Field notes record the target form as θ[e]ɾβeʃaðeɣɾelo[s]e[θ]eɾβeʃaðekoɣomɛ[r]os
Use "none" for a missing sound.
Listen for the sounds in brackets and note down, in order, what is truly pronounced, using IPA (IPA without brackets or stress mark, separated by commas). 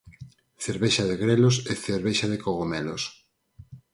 e, s, θ, l